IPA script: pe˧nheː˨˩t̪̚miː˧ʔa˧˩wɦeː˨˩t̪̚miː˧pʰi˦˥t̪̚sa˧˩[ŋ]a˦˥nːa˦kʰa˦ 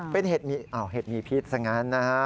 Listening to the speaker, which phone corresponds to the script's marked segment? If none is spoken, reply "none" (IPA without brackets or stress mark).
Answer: ŋ